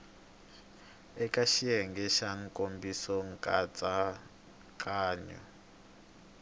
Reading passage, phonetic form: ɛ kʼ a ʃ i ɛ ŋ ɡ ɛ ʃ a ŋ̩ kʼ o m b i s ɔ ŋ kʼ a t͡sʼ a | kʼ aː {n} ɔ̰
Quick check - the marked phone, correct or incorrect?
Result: incorrect